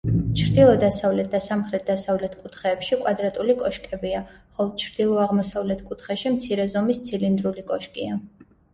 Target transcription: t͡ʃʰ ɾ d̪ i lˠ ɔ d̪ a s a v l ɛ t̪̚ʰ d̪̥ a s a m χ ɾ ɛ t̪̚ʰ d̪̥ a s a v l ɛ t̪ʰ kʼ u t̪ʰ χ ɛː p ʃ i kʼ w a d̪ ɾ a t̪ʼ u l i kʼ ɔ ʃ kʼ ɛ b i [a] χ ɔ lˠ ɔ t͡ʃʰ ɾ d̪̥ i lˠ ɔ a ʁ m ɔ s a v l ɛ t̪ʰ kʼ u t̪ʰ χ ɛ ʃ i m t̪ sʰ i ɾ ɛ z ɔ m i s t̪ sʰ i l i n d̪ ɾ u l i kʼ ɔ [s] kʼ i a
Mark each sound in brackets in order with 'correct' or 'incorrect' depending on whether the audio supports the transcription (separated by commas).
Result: correct, incorrect